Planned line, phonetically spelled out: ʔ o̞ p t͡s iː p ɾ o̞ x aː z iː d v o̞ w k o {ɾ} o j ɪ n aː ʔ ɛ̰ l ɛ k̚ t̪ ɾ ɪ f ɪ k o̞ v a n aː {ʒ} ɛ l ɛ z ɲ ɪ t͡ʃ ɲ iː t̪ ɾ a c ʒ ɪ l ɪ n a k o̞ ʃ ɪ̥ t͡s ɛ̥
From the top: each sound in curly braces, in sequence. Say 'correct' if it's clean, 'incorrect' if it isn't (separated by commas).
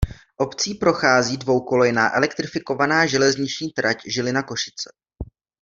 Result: incorrect, correct